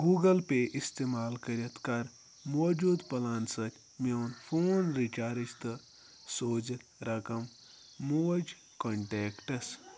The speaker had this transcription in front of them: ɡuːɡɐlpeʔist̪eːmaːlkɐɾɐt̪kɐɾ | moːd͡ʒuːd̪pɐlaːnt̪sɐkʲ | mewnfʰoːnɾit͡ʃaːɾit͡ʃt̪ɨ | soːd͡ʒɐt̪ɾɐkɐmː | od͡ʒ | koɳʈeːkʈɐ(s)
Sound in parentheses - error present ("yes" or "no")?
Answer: no